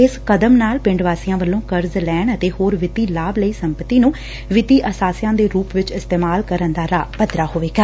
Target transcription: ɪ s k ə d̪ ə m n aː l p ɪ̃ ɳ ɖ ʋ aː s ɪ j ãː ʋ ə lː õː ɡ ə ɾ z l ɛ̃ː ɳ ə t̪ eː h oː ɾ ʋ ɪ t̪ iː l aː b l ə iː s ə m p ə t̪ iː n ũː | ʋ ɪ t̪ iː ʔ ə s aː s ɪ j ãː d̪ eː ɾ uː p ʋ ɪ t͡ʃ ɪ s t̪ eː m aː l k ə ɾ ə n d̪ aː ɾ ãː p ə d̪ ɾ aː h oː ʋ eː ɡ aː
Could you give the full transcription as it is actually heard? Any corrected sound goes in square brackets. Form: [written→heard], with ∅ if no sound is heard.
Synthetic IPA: ɪ s k ə d̪ ə m n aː l p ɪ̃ ɳ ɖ ʋ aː s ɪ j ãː ʋ ə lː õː [ɡ→k] ə ɾ z l [ɛ̃ː→ɛː] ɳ ə t̪ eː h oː ɾ ʋ ɪ t̪ iː l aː b l ə iː s ə m p ə t̪ iː n ũː | ʋ ɪ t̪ iː ʔ ə s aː s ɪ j ãː d̪ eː ɾ uː p ʋ ɪ t͡ʃ ɪ s t̪ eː m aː l k ə ɾ ə n d̪ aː ɾ [ãː→aː] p ə d̪ ɾ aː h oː ʋ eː ɡ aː